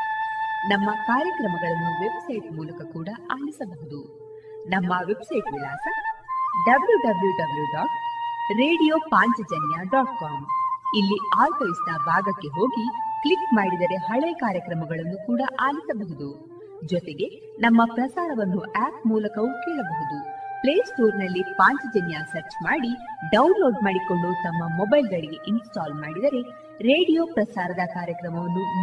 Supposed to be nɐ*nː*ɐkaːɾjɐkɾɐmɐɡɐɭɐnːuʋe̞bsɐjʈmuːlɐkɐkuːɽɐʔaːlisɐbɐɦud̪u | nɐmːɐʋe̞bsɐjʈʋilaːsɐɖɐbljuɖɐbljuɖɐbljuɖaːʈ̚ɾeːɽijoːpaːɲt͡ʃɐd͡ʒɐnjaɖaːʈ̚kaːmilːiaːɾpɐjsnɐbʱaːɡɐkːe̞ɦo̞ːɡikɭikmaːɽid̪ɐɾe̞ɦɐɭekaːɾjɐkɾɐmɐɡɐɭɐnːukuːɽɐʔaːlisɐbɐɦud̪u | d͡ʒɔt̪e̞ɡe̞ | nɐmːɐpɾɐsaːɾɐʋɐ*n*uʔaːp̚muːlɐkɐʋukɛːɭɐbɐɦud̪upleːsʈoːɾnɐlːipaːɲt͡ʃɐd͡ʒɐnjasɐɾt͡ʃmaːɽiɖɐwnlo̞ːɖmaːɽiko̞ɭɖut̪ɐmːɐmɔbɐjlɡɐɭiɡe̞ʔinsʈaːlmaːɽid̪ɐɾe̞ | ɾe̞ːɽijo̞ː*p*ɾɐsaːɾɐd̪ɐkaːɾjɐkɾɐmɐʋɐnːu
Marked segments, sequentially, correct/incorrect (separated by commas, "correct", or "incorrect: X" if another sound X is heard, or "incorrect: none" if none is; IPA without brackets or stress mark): incorrect: mː, incorrect: nː, correct